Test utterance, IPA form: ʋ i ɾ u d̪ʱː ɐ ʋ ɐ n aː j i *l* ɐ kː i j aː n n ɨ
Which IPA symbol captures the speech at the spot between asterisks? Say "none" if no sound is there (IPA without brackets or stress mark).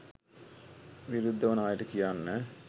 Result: ɾ